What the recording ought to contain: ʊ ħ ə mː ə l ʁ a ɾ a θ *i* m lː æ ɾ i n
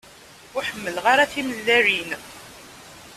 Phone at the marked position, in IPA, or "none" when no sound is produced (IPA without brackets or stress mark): i